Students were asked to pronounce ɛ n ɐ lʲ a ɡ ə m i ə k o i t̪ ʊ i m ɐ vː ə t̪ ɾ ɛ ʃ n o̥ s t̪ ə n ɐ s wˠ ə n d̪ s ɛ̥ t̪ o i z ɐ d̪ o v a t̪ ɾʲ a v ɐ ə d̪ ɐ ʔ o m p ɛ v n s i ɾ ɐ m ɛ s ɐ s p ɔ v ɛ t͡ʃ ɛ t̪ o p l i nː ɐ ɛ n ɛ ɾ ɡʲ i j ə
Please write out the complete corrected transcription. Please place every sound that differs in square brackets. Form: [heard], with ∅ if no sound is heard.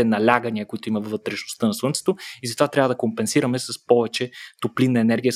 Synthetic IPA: ɛ n ɐ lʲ a ɡ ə [n] i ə k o i t̪ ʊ i m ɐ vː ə t̪ ɾ ɛ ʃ n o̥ s t̪ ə n ɐ s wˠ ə n [t̪] s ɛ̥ t̪ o i z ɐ [t̪] o v a t̪ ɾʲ a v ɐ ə d̪ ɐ [k] o m p ɛ [∅] n s i ɾ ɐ m ɛ s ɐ s p ɔ v ɛ t͡ʃ ɛ t̪ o p l i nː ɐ ɛ n ɛ ɾ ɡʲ i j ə